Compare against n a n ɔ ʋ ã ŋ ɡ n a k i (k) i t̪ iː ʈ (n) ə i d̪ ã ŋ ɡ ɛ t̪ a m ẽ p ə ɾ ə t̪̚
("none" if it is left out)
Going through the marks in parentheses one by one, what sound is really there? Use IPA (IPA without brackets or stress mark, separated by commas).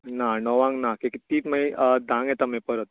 k, m